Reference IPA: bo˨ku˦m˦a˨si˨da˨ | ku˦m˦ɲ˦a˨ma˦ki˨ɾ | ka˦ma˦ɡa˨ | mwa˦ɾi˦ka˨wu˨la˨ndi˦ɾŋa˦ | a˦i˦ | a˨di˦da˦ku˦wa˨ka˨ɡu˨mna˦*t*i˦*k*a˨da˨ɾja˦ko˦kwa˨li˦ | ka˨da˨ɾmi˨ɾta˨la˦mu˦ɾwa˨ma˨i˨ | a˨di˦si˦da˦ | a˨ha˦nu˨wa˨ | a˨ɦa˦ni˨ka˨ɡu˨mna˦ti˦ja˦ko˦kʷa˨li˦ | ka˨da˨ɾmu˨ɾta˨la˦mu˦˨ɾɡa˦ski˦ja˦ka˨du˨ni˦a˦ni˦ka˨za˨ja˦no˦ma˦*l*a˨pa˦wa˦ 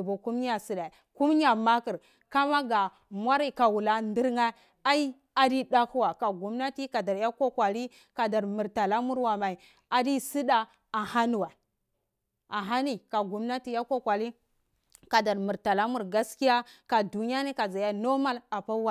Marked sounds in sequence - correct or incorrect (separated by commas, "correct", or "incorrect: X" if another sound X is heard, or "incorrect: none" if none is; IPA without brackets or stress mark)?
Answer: correct, correct, correct